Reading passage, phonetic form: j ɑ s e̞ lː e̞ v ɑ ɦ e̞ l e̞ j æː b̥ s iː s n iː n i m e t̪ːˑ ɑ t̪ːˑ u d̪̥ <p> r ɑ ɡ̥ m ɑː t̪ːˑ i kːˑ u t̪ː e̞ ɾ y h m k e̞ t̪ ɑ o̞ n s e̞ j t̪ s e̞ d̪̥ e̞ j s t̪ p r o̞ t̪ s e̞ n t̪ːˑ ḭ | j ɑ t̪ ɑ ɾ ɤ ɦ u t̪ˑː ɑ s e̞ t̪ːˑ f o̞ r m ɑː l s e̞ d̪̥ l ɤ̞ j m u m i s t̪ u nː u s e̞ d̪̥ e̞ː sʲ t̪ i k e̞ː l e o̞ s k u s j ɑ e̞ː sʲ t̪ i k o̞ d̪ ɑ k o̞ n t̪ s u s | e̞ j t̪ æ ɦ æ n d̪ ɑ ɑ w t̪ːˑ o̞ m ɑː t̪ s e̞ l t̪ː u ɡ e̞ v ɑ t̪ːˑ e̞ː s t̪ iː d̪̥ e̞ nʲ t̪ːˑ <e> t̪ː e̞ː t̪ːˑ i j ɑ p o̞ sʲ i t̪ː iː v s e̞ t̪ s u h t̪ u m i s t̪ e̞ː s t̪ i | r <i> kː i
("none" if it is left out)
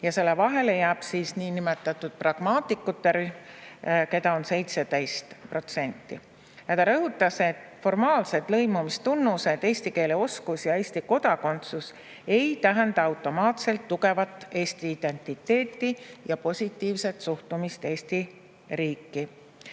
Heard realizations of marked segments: p, i, iː

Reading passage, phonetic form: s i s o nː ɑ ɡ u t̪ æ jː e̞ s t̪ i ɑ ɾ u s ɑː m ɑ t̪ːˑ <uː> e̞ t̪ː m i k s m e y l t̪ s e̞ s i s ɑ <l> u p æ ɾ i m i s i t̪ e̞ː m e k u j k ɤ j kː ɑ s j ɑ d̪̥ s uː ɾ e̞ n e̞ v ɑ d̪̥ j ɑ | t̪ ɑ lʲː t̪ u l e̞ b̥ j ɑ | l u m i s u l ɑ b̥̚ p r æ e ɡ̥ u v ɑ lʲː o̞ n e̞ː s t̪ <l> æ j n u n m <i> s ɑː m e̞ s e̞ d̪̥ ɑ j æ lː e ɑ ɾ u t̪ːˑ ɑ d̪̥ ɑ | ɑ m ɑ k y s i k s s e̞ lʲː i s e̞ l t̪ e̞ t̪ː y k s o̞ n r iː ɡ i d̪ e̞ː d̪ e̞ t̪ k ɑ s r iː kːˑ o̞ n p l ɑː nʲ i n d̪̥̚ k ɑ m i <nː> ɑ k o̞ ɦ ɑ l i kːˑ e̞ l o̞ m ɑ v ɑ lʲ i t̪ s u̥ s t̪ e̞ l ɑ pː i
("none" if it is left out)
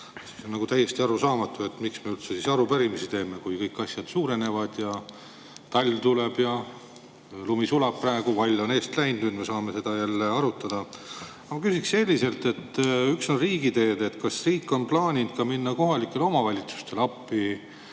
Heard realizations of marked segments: u, ɾ, l, e, nː

